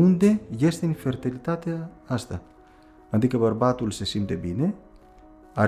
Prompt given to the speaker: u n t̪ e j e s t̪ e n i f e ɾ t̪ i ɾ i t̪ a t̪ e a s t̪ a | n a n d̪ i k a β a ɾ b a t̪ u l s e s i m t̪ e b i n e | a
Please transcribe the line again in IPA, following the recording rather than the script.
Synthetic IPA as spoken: u n d̪ e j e s t̪ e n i f e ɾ t̪ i l i t̪ a t̪ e a s t̪ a | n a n d̪ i k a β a ɾ b a t̪ u l s e s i m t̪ e b i n e | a